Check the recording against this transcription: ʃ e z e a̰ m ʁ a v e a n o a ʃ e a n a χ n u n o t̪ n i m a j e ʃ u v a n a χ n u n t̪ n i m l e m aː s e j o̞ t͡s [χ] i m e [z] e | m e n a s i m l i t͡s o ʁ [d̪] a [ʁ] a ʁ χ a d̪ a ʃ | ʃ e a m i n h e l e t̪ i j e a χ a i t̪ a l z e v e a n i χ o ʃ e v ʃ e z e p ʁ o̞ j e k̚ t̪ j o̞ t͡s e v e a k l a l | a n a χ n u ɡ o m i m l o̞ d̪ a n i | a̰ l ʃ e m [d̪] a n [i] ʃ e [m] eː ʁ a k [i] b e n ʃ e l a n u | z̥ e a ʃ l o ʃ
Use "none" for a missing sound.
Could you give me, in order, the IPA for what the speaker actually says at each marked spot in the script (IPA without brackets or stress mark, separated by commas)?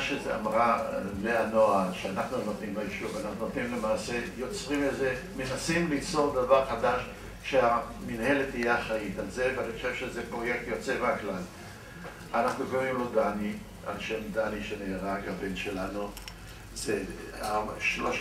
ʁ, z, d̪, v, d̪, i, n, a